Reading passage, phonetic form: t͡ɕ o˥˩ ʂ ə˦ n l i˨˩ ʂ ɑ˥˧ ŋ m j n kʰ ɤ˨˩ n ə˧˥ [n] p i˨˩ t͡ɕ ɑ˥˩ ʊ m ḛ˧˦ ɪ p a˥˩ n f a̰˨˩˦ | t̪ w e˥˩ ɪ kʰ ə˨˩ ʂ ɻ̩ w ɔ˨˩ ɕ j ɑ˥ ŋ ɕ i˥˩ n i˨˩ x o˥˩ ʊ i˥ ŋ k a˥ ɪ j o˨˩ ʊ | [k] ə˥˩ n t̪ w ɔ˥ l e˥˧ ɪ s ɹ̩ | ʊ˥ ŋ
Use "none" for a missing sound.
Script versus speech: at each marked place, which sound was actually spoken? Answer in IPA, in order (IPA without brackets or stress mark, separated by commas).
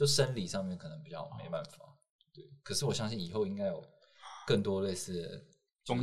ŋ, k